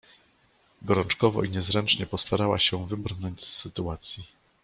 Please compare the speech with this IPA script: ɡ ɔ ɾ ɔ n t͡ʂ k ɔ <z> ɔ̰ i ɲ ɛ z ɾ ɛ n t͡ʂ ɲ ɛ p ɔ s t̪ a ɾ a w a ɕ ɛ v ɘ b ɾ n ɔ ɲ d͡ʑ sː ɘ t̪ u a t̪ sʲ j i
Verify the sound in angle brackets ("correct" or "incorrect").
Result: incorrect